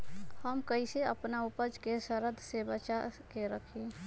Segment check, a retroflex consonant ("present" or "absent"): absent